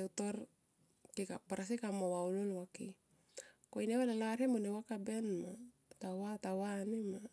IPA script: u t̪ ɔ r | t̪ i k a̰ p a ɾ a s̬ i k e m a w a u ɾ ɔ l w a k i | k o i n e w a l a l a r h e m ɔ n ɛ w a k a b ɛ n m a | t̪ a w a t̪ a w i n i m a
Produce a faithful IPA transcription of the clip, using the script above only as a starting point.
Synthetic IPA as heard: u t̪ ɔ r | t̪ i k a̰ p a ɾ a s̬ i k a m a w a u l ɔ l w a k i | k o i n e w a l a l a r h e m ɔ n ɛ w a k a b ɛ n m a | t̪ a w a t̪ a w a n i m a